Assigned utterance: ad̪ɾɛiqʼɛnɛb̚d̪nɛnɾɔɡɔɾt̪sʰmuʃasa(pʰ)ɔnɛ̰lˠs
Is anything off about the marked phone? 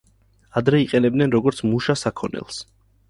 yes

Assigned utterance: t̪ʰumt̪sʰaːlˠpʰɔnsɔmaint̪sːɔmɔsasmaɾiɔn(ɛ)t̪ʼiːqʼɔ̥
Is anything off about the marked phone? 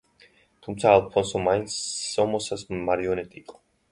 no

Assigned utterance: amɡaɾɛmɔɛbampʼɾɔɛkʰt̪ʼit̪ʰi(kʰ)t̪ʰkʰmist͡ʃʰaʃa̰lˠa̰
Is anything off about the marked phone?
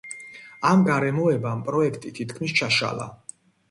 yes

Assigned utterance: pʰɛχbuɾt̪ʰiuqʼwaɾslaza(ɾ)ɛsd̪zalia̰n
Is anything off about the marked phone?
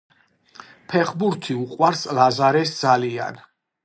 no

